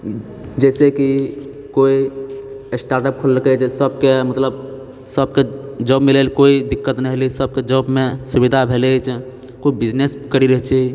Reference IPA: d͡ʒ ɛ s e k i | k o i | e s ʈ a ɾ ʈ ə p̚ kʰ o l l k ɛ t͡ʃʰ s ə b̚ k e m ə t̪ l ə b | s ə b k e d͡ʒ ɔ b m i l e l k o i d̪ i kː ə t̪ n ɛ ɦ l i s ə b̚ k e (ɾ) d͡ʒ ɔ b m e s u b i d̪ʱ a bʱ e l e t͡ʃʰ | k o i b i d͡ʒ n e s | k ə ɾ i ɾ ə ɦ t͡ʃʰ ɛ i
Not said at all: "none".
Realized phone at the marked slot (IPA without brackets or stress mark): none